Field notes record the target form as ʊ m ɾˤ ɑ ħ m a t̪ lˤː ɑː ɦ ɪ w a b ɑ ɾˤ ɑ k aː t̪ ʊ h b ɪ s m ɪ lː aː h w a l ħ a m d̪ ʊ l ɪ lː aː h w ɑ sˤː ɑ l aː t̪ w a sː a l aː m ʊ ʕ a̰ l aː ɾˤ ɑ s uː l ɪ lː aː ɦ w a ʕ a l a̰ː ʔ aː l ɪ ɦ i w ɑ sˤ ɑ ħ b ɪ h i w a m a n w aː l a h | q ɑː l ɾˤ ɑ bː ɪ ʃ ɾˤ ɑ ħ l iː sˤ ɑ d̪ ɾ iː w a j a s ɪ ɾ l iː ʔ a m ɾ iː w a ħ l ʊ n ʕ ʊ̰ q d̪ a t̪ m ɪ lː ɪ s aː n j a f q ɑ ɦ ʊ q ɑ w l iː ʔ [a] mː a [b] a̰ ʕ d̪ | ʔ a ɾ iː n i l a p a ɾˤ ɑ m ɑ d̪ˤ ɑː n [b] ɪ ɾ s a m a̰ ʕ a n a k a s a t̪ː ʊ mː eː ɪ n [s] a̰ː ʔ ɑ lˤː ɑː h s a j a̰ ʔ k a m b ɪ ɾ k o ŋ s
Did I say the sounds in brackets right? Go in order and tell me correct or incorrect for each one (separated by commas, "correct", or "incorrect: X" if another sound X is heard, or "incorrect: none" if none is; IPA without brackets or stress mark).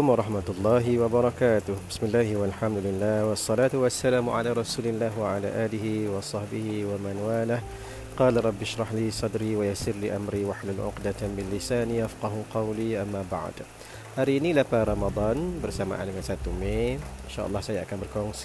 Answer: correct, correct, correct, incorrect: ʃ